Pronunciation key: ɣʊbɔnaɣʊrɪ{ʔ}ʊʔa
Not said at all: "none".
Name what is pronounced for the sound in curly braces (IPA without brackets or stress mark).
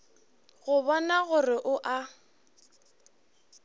ʔ